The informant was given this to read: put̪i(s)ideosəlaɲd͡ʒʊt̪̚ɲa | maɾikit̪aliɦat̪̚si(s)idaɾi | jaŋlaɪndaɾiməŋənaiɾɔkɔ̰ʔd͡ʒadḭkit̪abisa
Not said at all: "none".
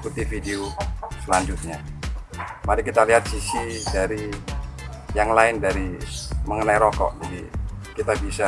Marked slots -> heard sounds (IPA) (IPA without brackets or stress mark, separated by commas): f, s